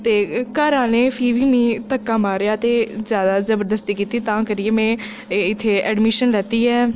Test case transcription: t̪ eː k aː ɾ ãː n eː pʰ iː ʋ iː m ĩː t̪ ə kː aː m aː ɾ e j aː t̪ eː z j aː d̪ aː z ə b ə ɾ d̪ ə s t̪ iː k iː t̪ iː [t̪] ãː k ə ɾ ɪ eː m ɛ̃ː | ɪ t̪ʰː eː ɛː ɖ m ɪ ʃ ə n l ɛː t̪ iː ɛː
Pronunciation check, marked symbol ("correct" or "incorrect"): correct